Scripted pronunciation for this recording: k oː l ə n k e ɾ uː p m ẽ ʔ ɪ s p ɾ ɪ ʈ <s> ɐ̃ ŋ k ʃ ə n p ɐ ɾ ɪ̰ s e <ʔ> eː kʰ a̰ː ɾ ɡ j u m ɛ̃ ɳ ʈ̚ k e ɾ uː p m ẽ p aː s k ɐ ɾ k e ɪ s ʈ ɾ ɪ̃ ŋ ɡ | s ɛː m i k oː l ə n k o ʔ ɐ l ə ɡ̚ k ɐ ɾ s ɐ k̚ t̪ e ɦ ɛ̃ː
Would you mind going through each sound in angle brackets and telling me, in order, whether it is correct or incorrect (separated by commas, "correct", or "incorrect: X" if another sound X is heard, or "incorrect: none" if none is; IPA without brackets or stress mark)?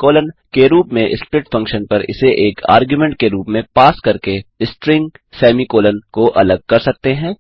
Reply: incorrect: f, correct